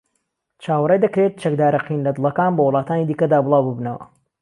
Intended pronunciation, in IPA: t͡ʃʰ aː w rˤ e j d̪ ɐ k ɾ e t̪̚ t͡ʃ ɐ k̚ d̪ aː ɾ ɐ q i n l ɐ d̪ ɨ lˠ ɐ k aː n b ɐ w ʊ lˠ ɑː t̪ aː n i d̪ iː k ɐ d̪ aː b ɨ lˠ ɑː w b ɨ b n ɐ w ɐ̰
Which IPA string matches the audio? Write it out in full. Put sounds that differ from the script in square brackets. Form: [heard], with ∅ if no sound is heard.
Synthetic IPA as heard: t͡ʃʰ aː w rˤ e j d̪ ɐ k ɾ e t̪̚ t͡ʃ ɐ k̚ d̪ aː ɾ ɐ q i n l ɐ d̪ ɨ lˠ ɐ k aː n b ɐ w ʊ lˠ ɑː t̪ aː n i d̪ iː k ɐ d̪ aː b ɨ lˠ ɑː w b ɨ b n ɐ w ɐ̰